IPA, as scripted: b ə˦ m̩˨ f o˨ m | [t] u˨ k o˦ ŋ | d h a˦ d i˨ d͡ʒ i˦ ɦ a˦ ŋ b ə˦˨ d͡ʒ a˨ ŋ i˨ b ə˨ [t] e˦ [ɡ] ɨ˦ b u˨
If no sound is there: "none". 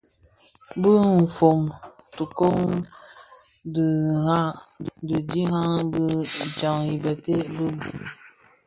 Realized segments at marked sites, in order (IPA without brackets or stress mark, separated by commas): t, t, b